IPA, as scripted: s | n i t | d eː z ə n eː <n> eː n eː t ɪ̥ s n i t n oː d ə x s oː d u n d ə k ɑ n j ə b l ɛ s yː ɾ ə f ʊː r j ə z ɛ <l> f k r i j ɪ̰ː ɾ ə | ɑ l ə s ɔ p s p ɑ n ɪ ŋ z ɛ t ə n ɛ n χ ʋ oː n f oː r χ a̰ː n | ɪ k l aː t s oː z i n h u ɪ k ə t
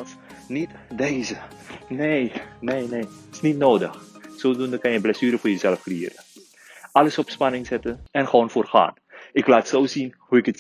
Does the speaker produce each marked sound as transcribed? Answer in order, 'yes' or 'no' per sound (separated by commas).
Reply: yes, yes